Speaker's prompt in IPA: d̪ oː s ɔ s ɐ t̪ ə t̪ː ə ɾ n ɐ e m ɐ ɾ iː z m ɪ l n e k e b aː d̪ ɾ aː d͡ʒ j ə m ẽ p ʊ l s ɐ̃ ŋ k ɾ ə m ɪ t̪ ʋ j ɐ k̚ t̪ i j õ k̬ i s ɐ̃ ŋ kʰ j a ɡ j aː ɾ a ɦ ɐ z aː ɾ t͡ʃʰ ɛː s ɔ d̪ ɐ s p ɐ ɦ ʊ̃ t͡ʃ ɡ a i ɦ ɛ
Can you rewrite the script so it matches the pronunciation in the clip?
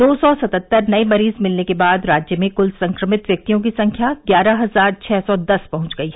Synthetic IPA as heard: d̪ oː s ɔ s ɐ t̪ ə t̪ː ə ɾ n ɐ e m ɐ ɾ iː z m ɪ l n e k e b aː d̪ ɾ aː d͡ʒ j ə m ẽ k ʊ l s ɐ̃ ŋ k ɾ ə m ɪ t̪ ʋ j ɐ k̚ t̪ i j õ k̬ i s ɐ̃ ŋ kʰ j a ɡ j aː ɾ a ɦ ɐ z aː ɾ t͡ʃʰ ɛː s ɔ d̪ ɐ s p ɐ ɦ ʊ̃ t͡ʃ ɡ ɐ i ɦ ɛ